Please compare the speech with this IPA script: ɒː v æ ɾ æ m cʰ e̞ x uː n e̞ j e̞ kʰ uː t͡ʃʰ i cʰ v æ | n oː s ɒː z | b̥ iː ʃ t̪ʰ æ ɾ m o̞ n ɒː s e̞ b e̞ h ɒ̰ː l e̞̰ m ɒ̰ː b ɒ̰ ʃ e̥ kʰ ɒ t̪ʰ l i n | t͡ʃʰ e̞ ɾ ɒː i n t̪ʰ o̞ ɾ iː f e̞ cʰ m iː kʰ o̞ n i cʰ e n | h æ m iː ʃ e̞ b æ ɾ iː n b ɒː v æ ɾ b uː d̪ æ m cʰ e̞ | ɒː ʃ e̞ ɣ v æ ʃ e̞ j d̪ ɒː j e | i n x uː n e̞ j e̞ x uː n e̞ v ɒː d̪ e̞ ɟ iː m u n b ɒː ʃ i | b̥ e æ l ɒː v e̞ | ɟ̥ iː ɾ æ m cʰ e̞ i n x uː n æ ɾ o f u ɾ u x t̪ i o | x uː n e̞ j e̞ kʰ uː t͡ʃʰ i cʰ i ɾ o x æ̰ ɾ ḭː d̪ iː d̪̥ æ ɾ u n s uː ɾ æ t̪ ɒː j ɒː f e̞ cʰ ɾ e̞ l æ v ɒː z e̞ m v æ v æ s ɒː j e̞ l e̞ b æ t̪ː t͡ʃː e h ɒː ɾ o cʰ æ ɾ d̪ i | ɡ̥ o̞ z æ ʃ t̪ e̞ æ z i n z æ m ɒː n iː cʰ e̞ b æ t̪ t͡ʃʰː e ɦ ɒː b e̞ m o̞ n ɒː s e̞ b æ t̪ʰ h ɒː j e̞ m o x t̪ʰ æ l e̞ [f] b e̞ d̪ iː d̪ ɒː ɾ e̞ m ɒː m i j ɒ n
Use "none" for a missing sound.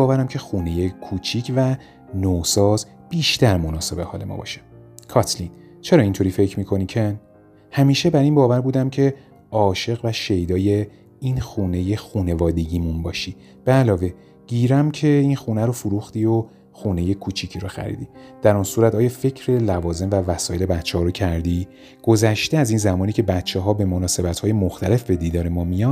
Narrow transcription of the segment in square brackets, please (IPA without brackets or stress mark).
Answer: f